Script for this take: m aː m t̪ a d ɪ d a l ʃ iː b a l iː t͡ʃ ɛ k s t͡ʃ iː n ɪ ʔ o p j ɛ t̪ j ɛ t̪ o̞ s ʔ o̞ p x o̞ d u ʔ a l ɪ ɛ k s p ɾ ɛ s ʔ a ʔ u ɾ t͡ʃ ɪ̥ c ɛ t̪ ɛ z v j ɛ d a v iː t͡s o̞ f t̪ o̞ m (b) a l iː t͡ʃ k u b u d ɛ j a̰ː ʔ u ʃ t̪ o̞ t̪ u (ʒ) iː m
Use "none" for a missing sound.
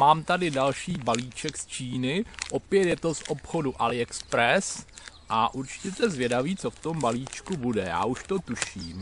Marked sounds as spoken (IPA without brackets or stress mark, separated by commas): b, ʃ